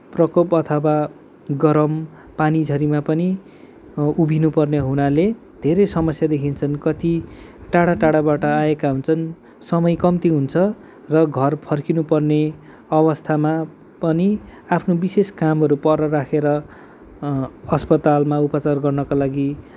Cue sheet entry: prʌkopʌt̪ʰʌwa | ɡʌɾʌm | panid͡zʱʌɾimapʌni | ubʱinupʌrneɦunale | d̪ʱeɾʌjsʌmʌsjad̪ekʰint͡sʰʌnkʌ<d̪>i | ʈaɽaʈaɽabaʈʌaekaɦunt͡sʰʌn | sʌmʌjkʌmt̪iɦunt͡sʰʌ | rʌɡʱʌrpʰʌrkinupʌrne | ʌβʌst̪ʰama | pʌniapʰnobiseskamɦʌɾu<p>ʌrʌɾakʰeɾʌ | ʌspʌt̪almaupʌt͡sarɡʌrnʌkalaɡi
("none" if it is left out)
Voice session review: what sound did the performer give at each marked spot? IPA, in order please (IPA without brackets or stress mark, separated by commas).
t̪, p